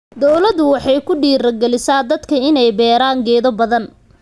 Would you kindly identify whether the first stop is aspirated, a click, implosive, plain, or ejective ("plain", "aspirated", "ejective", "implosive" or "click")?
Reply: plain